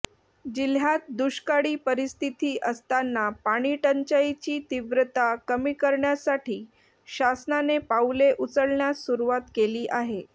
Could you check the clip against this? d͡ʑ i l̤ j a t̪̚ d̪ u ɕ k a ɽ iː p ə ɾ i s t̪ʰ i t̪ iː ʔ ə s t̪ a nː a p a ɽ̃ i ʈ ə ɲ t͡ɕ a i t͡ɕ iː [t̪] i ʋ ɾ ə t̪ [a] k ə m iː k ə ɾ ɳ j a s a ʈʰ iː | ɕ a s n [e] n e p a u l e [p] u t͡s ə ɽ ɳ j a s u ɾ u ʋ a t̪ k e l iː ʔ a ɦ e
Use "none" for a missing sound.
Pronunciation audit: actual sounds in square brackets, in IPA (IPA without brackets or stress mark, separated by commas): t̪, a, a, ʔ